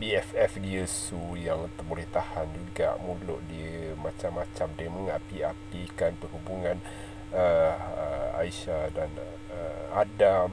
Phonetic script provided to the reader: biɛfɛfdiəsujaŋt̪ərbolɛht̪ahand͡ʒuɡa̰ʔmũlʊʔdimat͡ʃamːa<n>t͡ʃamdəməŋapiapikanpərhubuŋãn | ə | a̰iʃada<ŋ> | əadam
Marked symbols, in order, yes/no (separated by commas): no, no